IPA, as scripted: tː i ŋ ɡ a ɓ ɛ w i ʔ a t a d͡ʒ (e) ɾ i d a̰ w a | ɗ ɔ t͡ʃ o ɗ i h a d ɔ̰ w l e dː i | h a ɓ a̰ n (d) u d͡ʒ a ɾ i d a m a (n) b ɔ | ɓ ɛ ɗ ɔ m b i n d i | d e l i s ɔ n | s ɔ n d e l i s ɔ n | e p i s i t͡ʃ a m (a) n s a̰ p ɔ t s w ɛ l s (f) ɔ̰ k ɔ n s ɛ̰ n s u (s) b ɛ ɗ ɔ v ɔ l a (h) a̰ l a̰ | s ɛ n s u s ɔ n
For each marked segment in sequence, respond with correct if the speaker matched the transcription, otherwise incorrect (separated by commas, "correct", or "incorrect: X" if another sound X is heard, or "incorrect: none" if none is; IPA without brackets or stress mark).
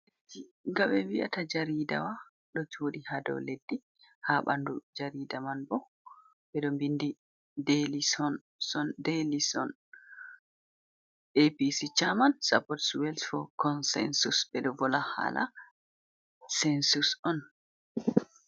incorrect: a, correct, correct, correct, correct, correct, correct